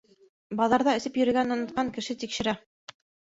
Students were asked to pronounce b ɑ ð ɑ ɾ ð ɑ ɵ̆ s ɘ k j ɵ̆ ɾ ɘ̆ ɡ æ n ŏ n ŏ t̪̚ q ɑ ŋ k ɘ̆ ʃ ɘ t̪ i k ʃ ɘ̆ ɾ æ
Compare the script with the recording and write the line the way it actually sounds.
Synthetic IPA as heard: b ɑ ð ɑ ɾ ð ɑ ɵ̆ s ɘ p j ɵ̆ ɾ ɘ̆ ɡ æ n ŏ n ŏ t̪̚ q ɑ ŋ k ɘ̆ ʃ ɘ t̪ i k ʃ ɘ̆ ɾ æ